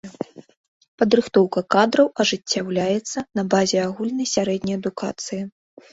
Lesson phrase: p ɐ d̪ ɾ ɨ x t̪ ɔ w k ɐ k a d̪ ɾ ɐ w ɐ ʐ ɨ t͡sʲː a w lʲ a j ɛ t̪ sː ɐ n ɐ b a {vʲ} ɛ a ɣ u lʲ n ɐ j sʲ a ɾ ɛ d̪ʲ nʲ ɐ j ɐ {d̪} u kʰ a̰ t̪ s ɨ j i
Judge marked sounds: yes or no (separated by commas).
no, yes